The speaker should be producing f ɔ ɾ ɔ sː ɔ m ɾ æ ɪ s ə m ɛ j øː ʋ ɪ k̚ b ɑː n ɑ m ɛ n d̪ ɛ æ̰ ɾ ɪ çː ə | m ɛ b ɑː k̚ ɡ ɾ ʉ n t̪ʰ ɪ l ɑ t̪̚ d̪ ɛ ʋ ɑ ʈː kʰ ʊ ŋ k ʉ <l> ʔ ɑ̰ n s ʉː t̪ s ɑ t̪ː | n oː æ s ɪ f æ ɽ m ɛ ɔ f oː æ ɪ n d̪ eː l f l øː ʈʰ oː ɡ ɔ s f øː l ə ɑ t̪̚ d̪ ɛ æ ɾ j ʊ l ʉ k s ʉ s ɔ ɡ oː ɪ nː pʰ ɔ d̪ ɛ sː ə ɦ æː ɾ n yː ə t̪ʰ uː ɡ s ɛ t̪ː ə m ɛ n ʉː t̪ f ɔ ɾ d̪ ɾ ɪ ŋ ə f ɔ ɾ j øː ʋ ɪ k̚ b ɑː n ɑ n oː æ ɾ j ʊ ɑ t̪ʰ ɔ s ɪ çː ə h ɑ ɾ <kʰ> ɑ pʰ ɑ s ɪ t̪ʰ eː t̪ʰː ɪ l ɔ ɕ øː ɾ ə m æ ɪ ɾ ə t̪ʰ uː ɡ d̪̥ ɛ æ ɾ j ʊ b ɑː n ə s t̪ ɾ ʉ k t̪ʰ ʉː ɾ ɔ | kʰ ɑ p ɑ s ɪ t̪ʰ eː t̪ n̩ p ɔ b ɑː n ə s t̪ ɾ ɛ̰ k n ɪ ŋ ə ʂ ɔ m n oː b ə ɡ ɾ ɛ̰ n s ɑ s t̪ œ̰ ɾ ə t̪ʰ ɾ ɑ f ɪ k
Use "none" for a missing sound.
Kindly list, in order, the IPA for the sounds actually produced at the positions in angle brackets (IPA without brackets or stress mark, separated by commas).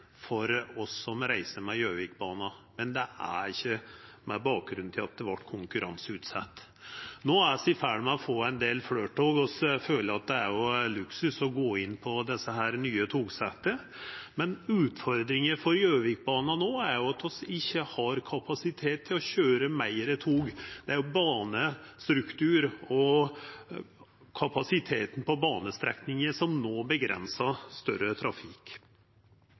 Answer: ɾ, kʰ